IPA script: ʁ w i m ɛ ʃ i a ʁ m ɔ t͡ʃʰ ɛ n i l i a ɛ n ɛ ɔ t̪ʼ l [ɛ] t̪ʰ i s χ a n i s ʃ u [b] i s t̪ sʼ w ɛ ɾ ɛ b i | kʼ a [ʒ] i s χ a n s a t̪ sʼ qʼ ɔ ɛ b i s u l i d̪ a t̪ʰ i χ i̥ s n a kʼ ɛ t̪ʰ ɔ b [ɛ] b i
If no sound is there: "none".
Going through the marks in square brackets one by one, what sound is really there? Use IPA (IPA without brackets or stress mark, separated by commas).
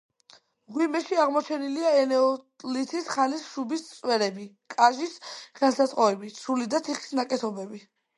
i, b, ʒ, ɛ